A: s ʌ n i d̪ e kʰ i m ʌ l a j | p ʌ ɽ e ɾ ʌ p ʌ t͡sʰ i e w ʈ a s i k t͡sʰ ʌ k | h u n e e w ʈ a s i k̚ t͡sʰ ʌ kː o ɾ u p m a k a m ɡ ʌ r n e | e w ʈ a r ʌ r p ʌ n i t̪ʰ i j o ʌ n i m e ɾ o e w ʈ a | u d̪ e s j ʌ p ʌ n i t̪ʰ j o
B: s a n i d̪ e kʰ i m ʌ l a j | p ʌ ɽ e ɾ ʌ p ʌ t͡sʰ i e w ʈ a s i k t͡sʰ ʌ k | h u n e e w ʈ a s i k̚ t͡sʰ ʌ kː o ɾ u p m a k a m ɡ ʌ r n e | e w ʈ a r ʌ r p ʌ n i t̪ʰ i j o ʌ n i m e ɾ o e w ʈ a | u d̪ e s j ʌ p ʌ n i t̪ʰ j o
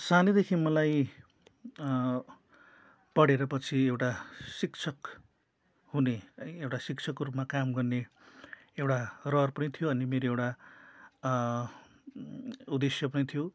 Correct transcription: B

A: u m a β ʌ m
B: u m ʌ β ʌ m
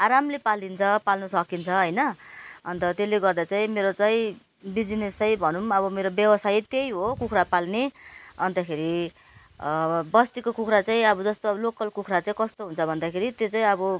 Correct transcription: B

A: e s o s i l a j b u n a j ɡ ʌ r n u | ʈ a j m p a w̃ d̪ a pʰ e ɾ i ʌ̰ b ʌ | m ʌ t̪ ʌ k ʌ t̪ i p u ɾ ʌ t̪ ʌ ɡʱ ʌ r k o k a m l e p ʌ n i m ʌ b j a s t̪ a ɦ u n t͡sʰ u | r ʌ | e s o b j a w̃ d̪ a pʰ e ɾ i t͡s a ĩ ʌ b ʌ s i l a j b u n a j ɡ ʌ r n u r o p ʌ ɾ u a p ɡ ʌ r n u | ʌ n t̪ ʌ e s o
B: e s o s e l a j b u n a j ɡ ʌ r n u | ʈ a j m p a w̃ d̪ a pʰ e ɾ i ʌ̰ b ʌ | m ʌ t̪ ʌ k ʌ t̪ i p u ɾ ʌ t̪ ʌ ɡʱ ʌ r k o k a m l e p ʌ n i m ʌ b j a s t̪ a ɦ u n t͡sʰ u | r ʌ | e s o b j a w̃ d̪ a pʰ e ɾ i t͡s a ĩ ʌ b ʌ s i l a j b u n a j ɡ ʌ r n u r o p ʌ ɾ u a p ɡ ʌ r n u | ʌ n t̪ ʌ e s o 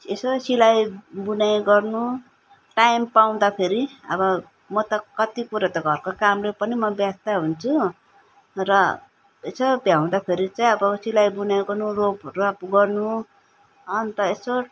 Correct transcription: A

